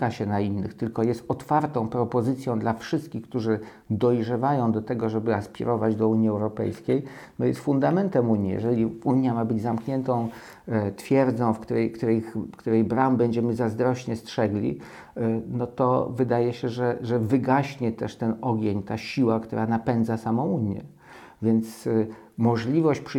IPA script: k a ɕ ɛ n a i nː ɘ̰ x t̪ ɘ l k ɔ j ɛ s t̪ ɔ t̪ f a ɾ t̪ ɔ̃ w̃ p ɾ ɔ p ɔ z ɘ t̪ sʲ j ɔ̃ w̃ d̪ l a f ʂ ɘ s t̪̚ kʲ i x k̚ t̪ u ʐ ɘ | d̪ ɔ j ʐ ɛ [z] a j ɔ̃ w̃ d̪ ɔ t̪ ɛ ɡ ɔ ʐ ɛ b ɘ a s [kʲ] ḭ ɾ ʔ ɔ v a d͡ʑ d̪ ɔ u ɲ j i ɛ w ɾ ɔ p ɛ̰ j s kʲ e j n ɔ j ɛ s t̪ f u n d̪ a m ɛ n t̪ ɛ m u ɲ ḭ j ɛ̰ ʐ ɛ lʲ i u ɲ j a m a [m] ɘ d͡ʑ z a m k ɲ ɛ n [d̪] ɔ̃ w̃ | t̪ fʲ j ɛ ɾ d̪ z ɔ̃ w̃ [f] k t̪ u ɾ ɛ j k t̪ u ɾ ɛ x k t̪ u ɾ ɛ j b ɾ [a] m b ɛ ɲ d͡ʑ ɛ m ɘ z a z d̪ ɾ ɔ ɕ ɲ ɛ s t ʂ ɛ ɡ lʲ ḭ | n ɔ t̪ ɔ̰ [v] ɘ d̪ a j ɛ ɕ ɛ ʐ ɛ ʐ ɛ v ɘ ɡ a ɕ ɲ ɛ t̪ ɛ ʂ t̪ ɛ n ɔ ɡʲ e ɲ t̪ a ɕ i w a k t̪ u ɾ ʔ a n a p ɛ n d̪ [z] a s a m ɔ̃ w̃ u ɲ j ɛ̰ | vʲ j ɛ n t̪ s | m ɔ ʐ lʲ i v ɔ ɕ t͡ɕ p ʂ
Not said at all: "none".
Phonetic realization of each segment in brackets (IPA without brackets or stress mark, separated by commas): v, pʲ, b, t̪, f, a, v, z